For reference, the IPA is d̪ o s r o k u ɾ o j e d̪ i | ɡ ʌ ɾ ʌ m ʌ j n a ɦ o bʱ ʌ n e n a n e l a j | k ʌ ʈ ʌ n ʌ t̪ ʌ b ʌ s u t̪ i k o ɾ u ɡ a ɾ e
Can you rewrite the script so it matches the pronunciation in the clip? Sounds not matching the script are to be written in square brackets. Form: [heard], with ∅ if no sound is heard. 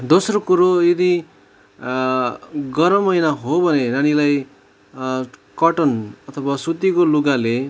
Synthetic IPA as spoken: d̪ o s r o k u ɾ o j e d̪ i | ɡ ʌ ɾ ʌ m ʌ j n a ɦ o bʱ ʌ n e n a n [i] l a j | k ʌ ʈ ʌ n ʌ [t̪ʰ] ʌ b [a] s u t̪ i k o [l] u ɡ a [l] e